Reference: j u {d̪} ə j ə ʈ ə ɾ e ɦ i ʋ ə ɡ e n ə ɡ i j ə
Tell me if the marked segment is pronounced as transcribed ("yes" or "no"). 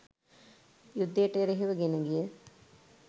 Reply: no